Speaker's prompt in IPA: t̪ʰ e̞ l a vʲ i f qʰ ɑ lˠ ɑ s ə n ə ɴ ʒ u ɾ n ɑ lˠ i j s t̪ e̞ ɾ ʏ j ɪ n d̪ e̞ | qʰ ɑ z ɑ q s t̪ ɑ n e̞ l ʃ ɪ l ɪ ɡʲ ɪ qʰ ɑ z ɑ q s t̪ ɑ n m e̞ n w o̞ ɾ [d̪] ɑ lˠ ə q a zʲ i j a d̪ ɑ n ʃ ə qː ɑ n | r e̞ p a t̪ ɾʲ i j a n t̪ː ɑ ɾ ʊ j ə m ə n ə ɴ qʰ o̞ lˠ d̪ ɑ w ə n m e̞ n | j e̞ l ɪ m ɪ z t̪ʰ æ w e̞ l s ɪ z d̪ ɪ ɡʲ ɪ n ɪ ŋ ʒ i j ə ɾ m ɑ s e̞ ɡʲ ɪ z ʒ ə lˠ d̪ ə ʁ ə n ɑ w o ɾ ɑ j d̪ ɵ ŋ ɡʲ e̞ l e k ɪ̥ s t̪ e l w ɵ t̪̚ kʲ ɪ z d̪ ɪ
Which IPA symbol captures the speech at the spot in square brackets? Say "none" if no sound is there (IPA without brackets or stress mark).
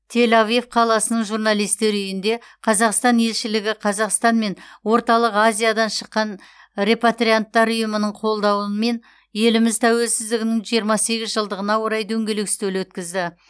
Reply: t̪